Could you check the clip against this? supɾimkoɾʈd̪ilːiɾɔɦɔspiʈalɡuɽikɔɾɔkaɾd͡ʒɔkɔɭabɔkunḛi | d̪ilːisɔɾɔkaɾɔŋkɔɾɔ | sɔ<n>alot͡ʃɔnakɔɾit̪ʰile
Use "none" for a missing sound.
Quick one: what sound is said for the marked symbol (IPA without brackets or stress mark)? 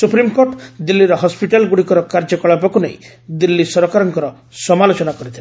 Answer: m